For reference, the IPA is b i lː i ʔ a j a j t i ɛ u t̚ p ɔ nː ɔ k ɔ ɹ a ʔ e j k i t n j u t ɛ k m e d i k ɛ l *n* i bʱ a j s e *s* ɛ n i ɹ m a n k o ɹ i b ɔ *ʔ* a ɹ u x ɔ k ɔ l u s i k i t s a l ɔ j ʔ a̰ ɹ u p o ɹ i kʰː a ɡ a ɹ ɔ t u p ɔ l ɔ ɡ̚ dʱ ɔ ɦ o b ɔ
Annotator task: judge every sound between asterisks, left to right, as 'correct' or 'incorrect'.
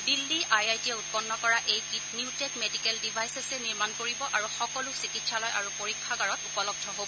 incorrect: d, correct, correct

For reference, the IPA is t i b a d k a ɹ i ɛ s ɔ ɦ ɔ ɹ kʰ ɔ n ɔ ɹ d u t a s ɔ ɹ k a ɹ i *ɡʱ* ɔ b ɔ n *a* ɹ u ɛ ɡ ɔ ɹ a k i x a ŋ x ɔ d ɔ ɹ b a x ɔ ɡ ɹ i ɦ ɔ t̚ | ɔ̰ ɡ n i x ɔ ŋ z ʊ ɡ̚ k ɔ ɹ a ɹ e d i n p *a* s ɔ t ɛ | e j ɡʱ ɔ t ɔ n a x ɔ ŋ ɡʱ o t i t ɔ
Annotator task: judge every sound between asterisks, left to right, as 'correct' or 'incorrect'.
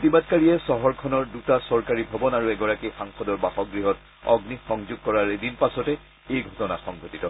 incorrect: bʱ, correct, correct

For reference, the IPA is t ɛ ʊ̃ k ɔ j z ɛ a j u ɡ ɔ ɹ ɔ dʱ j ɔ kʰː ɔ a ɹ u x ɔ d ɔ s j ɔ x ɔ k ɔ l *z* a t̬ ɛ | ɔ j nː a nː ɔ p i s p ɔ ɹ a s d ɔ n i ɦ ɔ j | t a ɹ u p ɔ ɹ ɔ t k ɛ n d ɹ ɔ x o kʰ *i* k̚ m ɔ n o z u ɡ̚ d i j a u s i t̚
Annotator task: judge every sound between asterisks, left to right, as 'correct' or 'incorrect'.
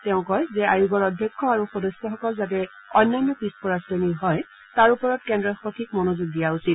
correct, correct

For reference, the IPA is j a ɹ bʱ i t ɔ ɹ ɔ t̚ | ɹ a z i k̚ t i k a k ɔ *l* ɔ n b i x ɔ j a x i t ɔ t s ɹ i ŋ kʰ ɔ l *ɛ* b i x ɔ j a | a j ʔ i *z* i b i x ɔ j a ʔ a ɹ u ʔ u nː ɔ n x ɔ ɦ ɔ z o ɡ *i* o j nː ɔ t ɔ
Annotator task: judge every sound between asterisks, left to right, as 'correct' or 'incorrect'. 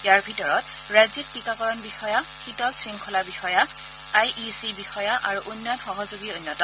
incorrect: ɹ, incorrect: a, incorrect: s, correct

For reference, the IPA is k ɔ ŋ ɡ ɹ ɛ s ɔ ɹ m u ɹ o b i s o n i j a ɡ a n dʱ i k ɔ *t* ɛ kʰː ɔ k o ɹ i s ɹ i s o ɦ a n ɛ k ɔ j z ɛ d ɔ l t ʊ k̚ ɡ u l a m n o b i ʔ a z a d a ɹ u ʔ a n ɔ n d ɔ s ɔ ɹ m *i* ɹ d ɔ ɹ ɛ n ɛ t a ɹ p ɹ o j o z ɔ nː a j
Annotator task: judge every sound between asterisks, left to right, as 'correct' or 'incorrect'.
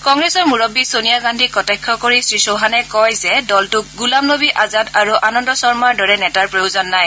correct, incorrect: a

